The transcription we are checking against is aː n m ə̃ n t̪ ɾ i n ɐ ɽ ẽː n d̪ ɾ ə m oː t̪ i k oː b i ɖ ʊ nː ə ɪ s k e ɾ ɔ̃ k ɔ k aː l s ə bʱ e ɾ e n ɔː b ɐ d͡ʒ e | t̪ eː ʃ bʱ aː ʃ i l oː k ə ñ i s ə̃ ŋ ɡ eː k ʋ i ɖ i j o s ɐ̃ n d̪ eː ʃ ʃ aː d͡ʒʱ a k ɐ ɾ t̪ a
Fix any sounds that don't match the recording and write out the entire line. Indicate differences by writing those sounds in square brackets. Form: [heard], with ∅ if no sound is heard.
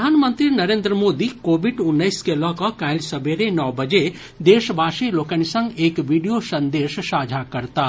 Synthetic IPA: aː n m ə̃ n t̪ ɾ i n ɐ [ɾ] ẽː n d̪ ɾ ə m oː [d̪] i k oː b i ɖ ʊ nː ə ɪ s k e [l] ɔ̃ k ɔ k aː l s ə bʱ e ɾ e n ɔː b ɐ d͡ʒ e | [d̪] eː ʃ bʱ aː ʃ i l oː k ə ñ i s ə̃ ŋ ɡ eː k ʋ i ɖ i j o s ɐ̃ n d̪ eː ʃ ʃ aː d͡ʒʱ a k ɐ ɾ t̪ a